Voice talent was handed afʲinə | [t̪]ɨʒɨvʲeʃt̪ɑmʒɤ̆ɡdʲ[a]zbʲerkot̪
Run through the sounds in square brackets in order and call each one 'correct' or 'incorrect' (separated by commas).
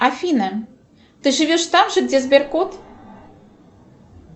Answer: correct, incorrect